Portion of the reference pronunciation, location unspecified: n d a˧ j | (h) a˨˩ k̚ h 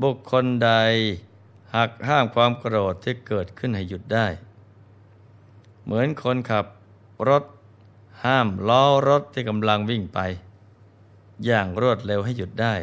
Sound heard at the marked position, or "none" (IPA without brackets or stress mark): h